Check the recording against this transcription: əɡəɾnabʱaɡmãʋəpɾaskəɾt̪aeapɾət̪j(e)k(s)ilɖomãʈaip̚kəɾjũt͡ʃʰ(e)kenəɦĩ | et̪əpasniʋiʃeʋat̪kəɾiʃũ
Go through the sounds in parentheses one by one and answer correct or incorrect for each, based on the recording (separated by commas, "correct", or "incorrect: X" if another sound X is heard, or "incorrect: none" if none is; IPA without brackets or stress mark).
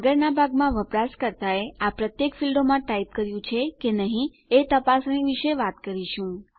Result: correct, incorrect: f, correct